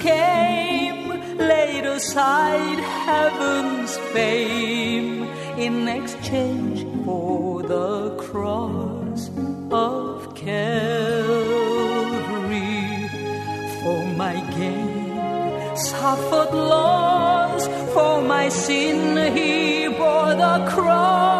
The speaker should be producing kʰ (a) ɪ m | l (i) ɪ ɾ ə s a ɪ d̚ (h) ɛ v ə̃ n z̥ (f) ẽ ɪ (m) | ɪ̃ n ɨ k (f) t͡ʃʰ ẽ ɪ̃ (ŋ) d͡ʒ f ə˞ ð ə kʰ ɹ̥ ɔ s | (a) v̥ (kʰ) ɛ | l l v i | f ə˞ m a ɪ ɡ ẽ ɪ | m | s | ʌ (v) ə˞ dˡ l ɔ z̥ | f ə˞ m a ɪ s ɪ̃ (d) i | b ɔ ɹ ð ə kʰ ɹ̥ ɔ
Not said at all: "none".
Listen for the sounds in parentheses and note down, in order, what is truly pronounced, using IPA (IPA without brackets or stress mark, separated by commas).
e, e, h, f, m, s, n, ʌ, kʰ, f, n